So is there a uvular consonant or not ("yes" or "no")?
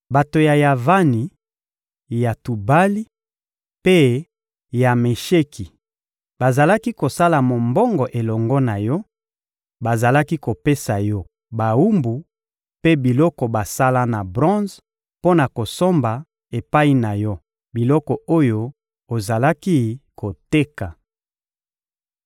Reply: yes